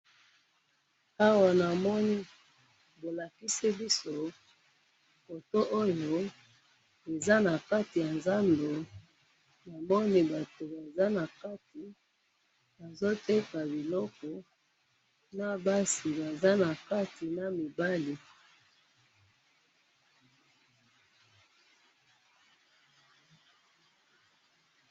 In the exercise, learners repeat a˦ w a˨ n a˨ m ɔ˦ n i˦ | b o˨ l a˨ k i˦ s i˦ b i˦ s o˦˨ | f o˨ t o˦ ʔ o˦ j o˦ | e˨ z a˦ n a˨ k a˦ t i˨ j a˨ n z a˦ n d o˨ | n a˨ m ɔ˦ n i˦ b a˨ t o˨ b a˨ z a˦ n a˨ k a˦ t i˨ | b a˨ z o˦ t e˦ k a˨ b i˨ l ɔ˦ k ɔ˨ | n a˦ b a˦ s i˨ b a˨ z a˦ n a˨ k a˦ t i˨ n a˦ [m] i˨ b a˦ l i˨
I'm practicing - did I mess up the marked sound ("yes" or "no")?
no